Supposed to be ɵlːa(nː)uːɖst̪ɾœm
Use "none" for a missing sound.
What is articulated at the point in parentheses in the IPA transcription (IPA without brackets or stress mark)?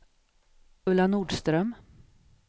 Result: n